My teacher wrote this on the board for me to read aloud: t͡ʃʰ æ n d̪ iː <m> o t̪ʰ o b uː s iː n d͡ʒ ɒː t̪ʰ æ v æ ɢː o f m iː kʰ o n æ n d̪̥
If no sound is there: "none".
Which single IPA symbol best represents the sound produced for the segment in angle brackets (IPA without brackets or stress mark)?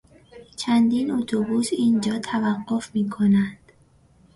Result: n